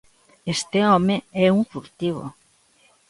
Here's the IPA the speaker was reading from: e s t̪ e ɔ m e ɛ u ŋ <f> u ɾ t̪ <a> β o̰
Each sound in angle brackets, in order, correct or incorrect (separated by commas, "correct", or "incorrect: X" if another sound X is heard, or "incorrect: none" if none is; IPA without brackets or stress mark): correct, incorrect: i